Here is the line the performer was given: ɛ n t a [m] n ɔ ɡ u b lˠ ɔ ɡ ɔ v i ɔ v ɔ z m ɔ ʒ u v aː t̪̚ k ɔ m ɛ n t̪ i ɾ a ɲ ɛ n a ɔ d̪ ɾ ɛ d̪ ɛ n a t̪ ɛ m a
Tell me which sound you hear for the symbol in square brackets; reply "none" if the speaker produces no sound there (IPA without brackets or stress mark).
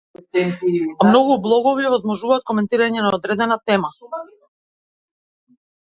m